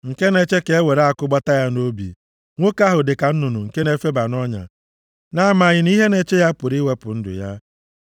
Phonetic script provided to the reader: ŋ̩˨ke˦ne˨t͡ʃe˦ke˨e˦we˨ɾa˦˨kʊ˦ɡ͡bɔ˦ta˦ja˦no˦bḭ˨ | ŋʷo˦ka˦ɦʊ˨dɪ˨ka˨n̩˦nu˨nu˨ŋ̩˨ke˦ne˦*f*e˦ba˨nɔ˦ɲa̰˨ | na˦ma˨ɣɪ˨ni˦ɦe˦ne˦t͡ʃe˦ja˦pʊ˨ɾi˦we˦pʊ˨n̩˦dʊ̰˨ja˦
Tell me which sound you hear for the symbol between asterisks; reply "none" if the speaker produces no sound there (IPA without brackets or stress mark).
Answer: f